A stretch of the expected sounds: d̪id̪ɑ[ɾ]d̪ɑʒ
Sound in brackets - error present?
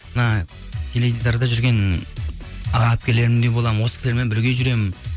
no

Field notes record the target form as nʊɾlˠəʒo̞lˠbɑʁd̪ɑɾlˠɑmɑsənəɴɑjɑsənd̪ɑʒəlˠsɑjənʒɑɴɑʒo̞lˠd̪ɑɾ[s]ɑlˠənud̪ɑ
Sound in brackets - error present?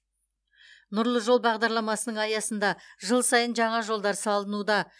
no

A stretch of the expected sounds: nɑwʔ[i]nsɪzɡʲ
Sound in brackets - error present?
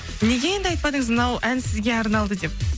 yes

